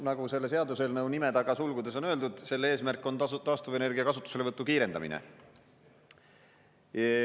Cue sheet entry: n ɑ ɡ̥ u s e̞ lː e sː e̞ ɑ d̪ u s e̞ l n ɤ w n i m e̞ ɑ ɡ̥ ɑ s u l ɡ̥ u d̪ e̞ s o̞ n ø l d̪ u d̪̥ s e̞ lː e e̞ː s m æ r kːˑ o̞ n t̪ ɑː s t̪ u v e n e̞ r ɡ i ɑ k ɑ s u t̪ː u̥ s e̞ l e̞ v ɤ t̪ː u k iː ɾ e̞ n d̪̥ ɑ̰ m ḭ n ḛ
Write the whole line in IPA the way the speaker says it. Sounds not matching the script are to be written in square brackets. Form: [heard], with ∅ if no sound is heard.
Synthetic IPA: n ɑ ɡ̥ u s e̞ lː e [s] e̞ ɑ d̪ u s e̞ l n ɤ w n i m e̞ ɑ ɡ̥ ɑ s u l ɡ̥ u d̪ e̞ s o̞ n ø l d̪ u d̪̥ s e̞ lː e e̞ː s m æ r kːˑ o̞ n t̪ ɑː s t̪ u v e n e̞ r ɡ i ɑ k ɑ s u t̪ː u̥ s e̞ l e̞ v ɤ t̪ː u k iː ɾ e̞ n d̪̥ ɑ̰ m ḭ n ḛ

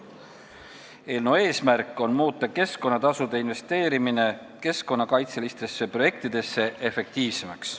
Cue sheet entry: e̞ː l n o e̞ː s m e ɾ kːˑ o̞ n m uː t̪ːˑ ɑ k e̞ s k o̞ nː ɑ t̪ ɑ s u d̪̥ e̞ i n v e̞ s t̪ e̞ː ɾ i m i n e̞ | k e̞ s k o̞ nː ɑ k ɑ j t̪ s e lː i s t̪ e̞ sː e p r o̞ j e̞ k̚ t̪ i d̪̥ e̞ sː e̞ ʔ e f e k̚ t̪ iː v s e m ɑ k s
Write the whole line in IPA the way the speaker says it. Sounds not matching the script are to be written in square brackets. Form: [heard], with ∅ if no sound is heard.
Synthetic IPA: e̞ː l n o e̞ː s m [æ] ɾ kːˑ o̞ n m uː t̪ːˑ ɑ k e̞ s k o̞ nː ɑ t̪ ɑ s u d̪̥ e̞ i n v e̞ s t̪ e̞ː ɾ i m i n e̞ | k e̞ s k o̞ nː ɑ k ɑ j t̪ s e [l] i s t̪ e̞ sː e p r o̞ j e̞ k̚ t̪ i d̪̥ e̞ sː e̞ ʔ e f e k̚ t̪ iː v s e m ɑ k s

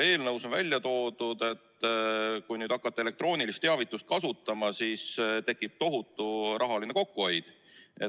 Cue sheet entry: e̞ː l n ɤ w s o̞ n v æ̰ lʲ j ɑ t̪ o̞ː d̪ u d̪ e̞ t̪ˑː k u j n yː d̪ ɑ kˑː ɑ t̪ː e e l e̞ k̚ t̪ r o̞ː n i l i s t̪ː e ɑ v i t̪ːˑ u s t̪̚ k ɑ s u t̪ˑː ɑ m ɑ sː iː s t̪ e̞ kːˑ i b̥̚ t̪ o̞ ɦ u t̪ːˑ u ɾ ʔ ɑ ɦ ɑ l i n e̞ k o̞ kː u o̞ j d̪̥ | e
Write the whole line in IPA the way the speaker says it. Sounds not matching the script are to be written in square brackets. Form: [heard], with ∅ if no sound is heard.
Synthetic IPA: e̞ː l n ɤ w s o̞ n v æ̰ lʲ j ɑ t̪ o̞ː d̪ u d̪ e̞ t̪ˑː k u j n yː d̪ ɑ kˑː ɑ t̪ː e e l e̞ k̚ t̪ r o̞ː n i l i s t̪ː e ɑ v i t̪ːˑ u s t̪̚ k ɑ s u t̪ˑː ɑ m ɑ [s] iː s t̪ e̞ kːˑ i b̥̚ t̪ o̞ ɦ u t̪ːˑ u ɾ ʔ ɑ ɦ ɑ l i n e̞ k o̞ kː u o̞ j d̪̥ | e

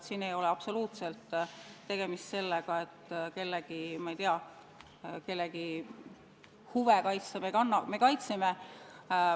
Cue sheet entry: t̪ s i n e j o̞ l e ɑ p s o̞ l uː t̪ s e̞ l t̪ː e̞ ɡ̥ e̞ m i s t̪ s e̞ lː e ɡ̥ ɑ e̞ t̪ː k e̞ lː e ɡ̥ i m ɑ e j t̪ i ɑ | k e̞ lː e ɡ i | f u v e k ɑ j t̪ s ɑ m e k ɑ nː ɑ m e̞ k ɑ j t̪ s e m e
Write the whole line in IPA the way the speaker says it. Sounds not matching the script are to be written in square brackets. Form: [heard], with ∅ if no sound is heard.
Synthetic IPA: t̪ s i n e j o̞ l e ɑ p s o̞ l uː t̪ s e̞ l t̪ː e̞ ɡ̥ e̞ m i s t̪ s e̞ lː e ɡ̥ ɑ e̞ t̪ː k e̞ lː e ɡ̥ i m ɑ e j t̪ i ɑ | k e̞ lː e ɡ i | [h] u v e k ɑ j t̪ s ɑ m e k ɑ nː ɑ m e̞ k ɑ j t̪ s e m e

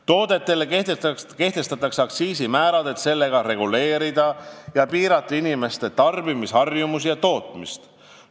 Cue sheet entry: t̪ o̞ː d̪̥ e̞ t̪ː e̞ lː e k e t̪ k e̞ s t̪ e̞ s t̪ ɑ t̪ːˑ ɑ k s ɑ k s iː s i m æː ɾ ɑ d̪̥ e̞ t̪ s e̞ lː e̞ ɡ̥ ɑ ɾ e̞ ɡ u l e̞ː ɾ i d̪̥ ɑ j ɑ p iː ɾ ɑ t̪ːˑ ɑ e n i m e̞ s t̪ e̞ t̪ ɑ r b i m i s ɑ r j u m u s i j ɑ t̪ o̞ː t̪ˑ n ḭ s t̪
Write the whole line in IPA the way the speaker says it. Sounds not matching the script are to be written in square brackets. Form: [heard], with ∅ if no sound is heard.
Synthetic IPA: t̪ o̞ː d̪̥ e̞ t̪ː e̞ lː e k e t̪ k e̞ [h] t̪ e̞ s t̪ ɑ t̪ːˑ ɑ k s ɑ k s iː s i m æː ɾ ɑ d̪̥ e̞ t̪ s e̞ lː e̞ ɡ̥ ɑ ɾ e̞ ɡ u l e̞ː ɾ i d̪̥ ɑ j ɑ p iː ɾ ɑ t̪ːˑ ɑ [i] n i m e̞ s t̪ e̞ t̪ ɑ r b i m i s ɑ r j u m u s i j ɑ t̪ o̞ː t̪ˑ [m] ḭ s t̪

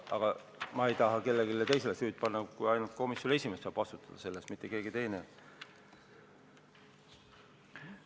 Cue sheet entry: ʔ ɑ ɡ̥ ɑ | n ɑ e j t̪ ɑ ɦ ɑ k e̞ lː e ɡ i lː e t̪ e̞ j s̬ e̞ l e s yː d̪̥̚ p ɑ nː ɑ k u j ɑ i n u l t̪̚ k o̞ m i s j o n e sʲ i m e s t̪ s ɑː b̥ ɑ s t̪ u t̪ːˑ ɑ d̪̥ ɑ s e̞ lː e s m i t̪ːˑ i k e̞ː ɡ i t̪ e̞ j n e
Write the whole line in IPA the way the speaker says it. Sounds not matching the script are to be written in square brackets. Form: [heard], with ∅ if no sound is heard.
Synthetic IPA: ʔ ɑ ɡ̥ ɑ | [m] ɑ e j t̪ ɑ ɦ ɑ k e̞ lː e ɡ i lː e t̪ e̞ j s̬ e̞ l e s yː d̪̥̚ p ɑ nː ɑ k u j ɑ [j] n u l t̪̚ k o̞ m i s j o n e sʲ i m e s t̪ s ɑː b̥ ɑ s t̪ u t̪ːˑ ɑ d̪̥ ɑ s e̞ lː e s m i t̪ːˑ [e] k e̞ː ɡ i t̪ e̞ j n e

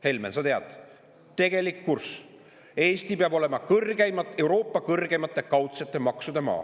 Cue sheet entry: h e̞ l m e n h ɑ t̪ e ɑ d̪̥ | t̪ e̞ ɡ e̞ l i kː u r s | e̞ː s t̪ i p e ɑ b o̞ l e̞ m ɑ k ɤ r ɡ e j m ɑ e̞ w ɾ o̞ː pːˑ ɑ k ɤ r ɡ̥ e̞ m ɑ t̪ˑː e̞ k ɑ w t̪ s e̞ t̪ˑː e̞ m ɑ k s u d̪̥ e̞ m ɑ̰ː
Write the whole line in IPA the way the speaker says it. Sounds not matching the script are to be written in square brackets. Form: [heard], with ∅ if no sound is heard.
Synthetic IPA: h e̞ l m e n [s] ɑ t̪ e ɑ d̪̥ | t̪ e̞ ɡ e̞ l i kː u r s | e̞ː s t̪ i p e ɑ b o̞ l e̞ m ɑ k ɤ r ɡ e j m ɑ e̞ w ɾ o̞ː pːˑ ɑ k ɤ r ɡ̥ e̞ m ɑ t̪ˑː e̞ k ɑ w t̪ s e̞ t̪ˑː e̞ m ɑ k s u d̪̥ e̞ m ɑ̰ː

